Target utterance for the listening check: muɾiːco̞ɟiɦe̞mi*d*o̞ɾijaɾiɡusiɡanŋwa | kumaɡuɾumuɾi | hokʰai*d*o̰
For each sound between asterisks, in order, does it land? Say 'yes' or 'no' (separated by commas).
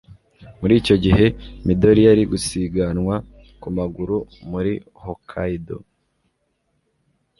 yes, yes